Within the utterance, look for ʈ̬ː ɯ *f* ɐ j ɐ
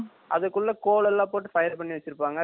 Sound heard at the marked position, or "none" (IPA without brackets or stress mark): f